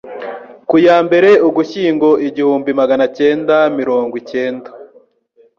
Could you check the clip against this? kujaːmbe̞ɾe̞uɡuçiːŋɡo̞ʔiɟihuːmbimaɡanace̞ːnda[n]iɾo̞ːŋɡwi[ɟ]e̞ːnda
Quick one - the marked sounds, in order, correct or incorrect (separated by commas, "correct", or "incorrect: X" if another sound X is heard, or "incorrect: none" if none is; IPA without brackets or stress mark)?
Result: incorrect: m, incorrect: c